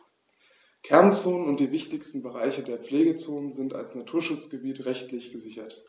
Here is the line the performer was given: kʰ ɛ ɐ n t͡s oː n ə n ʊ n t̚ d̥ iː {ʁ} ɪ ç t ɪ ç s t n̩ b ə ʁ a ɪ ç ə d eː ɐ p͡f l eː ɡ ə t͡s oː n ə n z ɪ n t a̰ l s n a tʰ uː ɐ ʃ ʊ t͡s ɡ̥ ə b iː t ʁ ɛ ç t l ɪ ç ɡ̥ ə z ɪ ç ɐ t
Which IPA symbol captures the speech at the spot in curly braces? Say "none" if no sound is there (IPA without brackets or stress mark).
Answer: v